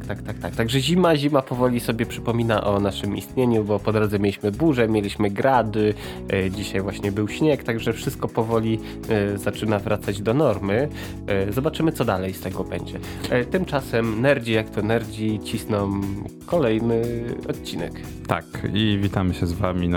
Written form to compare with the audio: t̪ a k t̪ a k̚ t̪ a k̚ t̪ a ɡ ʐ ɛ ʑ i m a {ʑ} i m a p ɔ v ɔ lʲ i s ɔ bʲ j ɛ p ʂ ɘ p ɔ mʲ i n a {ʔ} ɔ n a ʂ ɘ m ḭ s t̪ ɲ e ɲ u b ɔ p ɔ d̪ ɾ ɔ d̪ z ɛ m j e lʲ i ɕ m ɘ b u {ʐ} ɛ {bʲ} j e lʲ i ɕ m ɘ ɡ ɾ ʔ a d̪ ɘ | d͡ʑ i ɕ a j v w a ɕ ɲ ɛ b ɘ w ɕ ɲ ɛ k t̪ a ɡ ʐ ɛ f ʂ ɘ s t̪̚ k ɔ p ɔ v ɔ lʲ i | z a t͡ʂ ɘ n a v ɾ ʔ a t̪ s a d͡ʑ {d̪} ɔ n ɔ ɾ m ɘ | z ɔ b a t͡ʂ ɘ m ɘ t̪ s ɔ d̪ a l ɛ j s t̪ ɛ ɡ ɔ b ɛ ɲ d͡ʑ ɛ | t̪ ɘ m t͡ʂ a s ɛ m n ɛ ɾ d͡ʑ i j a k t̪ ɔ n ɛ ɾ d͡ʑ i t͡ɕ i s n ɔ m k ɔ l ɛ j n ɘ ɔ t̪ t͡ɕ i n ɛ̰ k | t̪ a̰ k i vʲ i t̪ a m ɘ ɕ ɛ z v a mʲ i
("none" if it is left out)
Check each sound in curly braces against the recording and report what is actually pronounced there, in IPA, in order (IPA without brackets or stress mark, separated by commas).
ʑ, ʔ, ʐ, mʲ, d̪